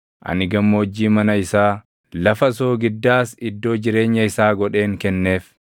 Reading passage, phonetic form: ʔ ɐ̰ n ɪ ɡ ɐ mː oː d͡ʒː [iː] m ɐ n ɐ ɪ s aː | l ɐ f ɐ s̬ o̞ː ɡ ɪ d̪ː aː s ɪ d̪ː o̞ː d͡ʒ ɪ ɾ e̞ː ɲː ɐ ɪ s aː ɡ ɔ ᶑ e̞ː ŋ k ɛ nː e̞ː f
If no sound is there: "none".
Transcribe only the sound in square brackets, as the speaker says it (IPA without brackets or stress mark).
iː